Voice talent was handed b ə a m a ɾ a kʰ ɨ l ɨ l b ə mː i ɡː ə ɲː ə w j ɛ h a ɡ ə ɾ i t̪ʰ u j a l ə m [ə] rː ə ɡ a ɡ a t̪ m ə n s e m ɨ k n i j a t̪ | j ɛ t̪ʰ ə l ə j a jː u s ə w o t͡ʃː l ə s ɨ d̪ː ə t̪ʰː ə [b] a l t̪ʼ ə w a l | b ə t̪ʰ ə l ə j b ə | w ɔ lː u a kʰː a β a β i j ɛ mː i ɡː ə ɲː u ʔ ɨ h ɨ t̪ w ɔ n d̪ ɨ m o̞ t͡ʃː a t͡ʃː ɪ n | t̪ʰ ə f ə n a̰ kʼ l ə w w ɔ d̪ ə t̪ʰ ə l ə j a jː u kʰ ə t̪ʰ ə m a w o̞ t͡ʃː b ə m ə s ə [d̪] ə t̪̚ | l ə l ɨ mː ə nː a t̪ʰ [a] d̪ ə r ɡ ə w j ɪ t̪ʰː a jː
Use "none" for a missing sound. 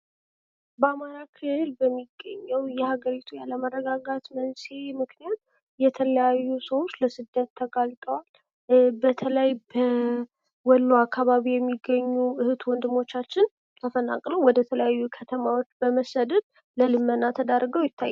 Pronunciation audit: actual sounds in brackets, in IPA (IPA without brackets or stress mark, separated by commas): ə, ɡ, d̪, ə